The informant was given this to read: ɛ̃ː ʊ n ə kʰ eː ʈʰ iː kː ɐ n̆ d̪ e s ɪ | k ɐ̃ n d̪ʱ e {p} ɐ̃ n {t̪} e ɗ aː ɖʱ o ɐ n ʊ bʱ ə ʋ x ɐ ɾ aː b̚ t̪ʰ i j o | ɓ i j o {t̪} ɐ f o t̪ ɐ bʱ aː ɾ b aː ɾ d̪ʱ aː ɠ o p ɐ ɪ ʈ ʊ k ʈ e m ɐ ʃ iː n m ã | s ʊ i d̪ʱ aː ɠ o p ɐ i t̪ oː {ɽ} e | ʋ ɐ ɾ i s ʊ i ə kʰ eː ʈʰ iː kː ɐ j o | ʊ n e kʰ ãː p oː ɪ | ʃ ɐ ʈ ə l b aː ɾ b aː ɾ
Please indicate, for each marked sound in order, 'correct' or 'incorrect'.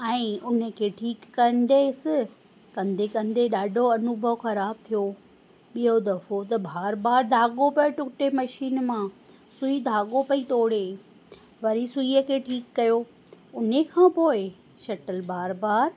incorrect: k, incorrect: d̪, incorrect: d̪, correct

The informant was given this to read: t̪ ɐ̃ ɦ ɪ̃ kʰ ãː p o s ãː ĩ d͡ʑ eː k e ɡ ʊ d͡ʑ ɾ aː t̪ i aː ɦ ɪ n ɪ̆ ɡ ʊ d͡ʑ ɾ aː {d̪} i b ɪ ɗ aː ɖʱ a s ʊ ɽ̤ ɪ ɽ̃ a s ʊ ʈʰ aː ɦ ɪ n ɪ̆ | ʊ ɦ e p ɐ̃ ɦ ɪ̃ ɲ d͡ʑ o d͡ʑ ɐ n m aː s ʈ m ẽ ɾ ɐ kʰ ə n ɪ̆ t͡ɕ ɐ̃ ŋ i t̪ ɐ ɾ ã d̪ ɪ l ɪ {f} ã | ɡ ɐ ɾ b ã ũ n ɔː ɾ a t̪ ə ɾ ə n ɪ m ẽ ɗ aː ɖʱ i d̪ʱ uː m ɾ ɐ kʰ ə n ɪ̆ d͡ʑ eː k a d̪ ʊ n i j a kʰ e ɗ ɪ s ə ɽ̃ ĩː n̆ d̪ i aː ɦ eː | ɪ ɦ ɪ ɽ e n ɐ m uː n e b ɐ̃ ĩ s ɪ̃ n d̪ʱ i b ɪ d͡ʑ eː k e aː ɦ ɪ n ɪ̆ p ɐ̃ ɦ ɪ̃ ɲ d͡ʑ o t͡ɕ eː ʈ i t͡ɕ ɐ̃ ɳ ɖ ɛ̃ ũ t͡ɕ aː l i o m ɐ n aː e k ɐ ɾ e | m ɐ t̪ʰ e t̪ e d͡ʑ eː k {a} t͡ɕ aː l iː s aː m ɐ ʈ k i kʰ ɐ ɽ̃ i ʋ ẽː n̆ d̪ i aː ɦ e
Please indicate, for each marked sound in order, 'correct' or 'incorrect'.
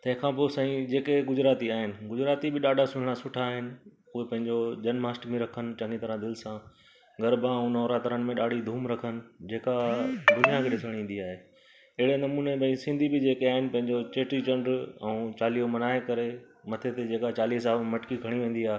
incorrect: t̪, incorrect: s, correct

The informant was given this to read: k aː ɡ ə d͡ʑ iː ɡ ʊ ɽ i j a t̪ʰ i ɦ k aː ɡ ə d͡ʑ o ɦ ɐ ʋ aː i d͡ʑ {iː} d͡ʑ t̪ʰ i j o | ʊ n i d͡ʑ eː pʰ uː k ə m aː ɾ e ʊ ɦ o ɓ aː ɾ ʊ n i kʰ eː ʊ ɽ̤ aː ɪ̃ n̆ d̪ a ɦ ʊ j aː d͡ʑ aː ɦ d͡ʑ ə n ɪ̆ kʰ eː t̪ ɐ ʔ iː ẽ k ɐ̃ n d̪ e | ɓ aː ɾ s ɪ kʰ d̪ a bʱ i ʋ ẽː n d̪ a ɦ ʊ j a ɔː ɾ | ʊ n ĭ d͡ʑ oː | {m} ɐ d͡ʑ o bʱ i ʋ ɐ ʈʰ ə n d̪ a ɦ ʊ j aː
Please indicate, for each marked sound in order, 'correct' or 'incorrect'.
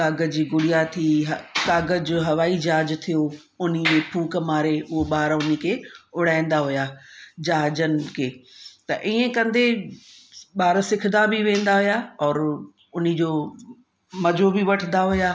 incorrect: aː, correct

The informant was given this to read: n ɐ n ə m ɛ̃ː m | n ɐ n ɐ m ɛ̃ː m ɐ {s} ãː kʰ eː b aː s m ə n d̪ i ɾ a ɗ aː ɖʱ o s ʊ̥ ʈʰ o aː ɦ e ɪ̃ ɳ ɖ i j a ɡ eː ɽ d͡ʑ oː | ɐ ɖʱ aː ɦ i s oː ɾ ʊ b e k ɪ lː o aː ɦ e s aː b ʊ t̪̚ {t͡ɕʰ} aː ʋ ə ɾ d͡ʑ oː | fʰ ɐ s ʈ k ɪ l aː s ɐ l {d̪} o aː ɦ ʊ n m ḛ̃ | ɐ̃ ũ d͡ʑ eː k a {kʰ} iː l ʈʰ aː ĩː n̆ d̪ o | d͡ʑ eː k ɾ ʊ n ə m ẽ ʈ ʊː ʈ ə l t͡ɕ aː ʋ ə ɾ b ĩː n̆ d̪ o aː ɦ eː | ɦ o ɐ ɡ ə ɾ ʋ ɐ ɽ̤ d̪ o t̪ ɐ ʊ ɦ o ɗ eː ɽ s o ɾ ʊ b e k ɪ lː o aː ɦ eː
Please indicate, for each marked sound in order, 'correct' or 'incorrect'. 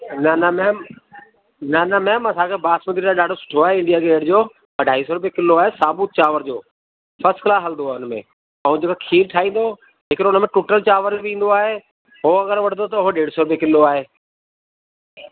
correct, incorrect: t͡ɕ, correct, correct

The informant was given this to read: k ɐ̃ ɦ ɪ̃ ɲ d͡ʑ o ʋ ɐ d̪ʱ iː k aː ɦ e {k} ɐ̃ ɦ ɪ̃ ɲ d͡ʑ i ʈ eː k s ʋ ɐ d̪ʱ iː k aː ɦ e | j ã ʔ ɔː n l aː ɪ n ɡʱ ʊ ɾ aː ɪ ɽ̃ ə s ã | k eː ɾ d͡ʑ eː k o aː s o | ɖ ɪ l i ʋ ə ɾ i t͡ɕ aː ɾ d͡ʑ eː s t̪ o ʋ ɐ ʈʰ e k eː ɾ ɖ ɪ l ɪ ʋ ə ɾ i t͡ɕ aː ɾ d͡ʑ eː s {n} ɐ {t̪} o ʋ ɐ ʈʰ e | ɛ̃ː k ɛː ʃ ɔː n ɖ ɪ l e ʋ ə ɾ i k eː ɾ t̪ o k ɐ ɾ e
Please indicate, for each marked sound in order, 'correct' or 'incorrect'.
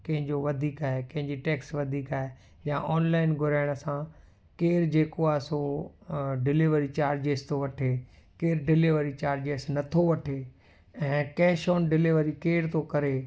correct, correct, incorrect: t̪ʰ

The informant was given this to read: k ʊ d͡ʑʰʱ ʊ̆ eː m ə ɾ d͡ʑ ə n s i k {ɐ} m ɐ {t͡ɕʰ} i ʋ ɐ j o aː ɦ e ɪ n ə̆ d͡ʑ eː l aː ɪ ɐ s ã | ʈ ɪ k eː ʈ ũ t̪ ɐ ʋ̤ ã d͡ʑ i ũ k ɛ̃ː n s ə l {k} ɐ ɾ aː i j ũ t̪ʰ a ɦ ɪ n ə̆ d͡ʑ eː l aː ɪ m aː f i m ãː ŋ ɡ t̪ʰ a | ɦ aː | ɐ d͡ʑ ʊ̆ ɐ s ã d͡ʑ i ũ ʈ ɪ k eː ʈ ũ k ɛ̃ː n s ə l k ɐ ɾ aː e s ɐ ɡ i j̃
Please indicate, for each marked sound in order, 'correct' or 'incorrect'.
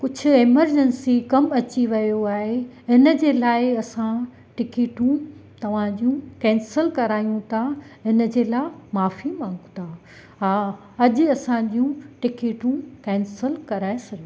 correct, incorrect: t͡ɕ, correct

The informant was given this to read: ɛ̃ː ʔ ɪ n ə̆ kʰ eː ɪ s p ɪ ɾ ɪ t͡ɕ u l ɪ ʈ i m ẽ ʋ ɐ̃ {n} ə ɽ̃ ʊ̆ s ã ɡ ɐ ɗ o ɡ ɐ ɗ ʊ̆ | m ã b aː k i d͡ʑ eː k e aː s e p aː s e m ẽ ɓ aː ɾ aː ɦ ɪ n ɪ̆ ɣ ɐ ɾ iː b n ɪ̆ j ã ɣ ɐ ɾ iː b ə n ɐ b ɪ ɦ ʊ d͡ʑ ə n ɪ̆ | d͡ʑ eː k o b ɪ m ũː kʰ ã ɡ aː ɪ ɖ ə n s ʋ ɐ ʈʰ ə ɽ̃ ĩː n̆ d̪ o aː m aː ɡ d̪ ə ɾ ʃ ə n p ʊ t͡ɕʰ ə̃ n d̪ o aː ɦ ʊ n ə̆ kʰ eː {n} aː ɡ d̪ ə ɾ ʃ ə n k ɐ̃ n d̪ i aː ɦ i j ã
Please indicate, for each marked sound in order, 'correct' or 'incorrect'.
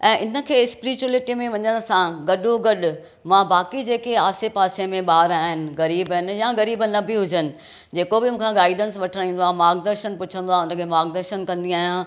incorrect: ɲ, incorrect: m

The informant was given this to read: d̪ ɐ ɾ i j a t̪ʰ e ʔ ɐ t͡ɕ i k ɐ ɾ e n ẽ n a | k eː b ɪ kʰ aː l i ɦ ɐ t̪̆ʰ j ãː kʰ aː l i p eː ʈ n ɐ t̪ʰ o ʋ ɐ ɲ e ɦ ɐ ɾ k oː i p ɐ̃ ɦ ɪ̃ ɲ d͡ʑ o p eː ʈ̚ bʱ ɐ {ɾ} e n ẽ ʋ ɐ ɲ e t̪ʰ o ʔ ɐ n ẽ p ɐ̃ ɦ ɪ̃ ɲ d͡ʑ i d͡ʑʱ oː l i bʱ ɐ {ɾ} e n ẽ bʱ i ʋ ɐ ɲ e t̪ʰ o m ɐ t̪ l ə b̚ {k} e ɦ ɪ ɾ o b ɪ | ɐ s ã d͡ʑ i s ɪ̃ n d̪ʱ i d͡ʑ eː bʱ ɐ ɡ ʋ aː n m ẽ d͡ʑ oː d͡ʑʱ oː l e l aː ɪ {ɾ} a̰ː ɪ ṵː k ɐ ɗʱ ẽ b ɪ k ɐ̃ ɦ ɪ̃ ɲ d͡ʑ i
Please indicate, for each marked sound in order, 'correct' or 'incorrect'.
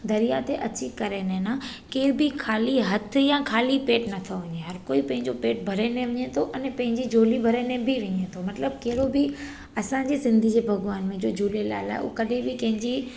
correct, correct, correct, incorrect: l

